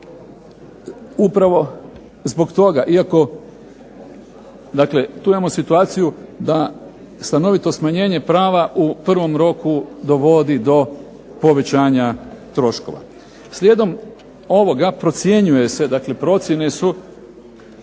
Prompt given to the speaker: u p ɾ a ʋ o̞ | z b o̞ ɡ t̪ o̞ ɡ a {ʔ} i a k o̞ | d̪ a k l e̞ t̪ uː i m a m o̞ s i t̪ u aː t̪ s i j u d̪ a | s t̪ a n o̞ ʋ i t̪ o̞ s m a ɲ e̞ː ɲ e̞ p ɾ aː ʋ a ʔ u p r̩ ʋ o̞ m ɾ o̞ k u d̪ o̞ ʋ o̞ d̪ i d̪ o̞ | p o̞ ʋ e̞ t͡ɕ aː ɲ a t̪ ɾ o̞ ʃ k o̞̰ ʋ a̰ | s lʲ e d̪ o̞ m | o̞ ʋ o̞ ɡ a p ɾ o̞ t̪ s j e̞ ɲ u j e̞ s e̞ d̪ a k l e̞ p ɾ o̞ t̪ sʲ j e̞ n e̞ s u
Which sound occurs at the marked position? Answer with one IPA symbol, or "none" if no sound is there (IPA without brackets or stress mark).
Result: ʔ